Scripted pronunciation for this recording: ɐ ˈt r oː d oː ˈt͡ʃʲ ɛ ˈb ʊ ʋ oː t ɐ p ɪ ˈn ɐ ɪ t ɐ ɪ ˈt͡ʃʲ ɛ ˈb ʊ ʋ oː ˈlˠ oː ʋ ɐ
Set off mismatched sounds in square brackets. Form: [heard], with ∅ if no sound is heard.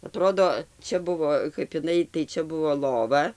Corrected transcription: ɐ ˈt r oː d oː ˈt͡ʃʲ ɛ ˈb ʊ ʋ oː [k] ɐ p ɪ ˈn ɐ ɪ t ɐ ɪ ˈt͡ʃʲ ɛ ˈb ʊ ʋ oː ˈlˠ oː ʋ ɐ